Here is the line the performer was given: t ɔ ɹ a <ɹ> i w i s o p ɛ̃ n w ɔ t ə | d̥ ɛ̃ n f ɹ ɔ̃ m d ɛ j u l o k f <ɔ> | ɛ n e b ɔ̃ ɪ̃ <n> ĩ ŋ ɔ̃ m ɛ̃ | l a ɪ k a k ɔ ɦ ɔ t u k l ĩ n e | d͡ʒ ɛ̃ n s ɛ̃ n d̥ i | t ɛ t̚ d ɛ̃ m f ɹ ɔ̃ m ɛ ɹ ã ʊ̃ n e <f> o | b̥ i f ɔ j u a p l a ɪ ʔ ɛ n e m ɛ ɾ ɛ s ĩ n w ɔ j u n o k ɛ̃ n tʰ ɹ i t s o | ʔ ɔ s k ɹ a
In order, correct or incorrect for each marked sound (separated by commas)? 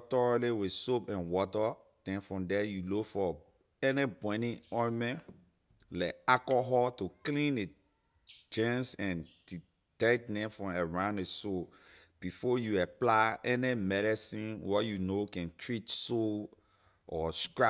incorrect, correct, correct, incorrect